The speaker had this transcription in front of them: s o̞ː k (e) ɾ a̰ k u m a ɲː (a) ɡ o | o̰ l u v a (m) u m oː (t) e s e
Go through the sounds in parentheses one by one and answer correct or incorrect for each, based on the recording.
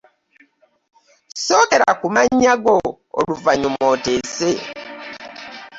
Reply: correct, correct, incorrect: ɲ, correct

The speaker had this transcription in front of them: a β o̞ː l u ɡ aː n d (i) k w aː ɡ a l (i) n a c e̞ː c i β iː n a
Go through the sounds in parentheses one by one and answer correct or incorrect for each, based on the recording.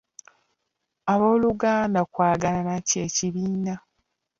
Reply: incorrect: a, incorrect: a

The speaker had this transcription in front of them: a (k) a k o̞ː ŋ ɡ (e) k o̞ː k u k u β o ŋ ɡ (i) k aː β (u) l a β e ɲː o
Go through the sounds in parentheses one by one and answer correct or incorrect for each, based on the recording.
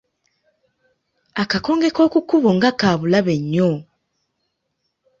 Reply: correct, correct, incorrect: a, correct

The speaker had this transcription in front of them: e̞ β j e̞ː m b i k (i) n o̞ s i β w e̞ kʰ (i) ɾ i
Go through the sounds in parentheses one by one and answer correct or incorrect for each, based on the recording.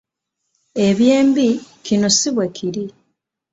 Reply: correct, correct

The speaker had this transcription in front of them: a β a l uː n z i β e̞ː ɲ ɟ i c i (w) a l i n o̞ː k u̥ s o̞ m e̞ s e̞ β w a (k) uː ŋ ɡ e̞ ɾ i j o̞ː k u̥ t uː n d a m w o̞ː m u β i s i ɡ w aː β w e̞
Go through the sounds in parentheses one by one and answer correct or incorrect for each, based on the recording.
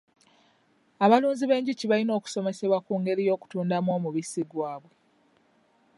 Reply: incorrect: β, correct

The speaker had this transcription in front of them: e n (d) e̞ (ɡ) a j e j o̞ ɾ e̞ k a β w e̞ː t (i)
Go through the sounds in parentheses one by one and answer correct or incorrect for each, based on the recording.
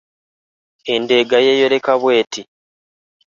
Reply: correct, correct, correct

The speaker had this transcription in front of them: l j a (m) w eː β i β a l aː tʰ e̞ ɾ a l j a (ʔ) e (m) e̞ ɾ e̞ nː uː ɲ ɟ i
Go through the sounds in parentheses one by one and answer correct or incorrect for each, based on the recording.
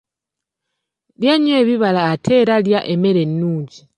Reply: incorrect: ɲ, correct, correct

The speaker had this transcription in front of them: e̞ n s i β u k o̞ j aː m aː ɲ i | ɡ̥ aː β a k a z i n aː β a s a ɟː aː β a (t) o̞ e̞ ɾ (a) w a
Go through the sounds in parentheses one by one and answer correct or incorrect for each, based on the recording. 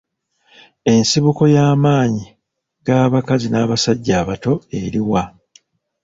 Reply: correct, incorrect: i

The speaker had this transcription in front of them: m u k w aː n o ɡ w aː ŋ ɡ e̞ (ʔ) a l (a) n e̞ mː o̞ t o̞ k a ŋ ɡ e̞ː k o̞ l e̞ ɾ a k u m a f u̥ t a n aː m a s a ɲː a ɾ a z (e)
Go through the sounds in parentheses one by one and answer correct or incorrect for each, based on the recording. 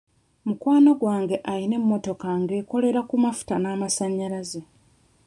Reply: correct, incorrect: i, correct

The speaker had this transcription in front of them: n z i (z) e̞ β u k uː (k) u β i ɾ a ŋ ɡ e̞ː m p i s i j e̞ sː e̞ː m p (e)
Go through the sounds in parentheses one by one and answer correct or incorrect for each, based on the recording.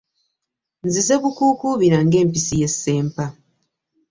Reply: correct, correct, incorrect: a

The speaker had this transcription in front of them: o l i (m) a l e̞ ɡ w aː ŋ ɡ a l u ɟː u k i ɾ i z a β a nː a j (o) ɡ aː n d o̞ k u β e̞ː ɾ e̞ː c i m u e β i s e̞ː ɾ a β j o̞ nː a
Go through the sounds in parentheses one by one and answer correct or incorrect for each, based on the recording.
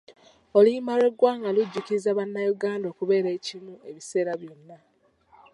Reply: correct, incorrect: u

